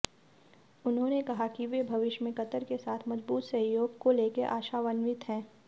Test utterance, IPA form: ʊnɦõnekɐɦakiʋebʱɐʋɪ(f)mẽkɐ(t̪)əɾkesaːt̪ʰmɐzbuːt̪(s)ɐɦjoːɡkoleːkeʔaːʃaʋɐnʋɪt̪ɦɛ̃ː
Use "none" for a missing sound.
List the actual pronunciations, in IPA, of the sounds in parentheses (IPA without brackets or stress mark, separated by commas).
ʃ, t̪, s